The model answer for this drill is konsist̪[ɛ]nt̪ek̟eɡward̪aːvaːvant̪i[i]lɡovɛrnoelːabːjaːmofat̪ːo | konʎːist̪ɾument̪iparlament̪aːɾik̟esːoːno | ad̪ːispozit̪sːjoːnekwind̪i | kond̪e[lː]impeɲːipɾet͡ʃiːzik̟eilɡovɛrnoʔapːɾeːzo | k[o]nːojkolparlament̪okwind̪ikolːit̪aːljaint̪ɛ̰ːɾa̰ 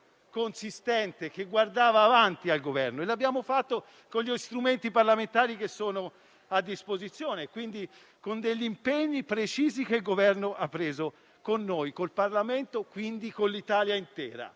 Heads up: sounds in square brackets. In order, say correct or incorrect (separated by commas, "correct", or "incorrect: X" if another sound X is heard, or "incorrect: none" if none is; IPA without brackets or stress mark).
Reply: correct, incorrect: a, incorrect: ʎː, correct